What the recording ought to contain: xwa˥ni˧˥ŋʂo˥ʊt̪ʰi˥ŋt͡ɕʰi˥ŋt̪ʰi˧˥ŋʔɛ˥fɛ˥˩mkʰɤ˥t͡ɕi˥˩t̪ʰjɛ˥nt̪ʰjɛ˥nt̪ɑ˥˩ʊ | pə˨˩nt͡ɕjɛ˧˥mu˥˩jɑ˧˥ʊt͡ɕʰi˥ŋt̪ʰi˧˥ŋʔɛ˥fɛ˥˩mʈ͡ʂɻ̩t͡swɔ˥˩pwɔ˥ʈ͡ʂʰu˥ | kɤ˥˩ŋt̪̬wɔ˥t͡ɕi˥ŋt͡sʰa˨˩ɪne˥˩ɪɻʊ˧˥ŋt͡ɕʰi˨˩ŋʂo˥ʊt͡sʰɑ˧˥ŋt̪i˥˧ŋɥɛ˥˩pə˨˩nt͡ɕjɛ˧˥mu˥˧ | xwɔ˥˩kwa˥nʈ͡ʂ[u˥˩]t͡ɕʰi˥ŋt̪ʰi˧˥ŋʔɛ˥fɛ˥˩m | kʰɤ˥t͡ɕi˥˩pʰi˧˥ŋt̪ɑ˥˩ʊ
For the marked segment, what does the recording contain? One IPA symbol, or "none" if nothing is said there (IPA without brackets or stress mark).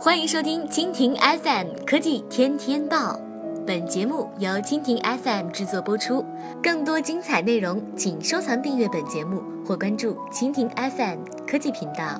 u˥˩